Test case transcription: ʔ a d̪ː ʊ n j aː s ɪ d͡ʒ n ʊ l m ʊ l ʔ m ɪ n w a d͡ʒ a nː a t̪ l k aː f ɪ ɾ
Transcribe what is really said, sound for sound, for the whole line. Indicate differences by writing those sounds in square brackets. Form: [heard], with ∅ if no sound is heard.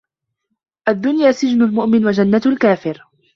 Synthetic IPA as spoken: ʔ a d̪ː ʊ n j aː s ɪ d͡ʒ n ʊ l m ʊ [∅] ʔ m ɪ n w a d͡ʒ a nː a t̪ l k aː f ɪ ɾ